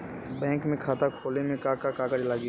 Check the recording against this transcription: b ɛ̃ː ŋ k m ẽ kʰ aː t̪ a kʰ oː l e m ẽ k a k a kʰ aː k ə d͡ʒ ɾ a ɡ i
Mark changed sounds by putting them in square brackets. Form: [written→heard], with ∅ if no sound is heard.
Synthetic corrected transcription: b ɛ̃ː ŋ k m ẽ kʰ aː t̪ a kʰ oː l e m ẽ k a k a [kʰ→k] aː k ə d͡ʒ [ɾ→l] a ɡ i